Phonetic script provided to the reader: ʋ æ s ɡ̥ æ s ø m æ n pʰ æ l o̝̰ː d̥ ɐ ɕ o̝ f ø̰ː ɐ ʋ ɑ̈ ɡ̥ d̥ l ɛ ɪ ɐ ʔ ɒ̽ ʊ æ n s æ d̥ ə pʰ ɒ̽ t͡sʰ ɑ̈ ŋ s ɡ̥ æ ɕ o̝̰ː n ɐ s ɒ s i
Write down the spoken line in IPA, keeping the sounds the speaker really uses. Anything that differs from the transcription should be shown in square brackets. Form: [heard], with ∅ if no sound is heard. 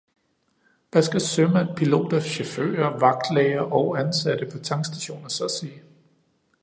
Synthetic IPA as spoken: ʋ æ s ɡ̥ æ s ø m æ n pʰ [i] l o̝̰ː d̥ ɐ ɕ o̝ f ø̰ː ɐ ʋ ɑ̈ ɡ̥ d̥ l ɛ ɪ ɐ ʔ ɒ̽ ʊ æ n s æ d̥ ə pʰ ɒ̽ t͡sʰ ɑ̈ ŋ s [d̥] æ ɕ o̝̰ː n ɐ s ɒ s i